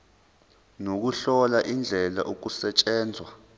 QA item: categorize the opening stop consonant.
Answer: plain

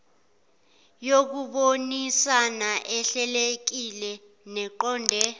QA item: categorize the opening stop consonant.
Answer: plain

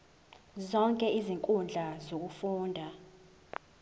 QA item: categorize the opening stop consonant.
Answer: ejective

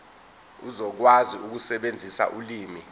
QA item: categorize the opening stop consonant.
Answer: plain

